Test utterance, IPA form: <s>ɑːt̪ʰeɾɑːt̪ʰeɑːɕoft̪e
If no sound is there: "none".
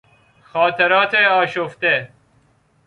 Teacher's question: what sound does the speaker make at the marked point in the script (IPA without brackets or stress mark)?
x